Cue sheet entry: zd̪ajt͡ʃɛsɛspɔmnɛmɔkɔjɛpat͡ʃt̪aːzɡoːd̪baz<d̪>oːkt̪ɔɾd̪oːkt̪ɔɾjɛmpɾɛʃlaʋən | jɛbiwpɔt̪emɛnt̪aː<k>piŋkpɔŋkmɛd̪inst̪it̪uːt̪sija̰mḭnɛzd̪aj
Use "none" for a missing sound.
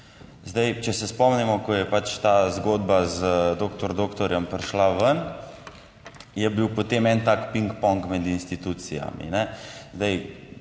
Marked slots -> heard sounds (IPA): d̪, k

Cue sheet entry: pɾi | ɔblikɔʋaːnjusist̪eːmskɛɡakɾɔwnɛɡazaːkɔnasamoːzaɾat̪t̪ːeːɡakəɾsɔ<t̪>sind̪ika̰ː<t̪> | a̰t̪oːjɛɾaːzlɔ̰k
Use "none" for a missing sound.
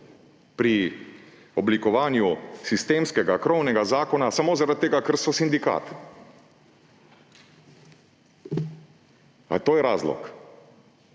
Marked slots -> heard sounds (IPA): none, t̪

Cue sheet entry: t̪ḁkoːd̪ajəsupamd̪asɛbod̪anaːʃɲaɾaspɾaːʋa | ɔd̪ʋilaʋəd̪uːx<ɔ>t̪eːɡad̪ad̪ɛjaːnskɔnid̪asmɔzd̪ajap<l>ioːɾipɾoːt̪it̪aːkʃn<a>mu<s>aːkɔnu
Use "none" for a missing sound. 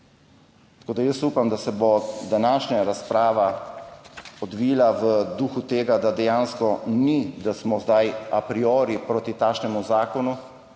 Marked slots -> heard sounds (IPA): u, ɾ, ɛ, z

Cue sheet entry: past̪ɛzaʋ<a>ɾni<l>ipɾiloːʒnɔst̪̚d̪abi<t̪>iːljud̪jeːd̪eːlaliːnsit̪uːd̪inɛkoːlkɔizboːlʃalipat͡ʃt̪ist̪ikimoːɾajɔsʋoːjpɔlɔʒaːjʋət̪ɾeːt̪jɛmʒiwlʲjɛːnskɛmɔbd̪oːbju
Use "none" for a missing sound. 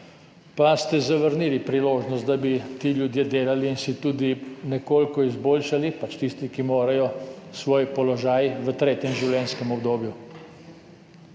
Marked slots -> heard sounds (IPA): ə, l, t̪

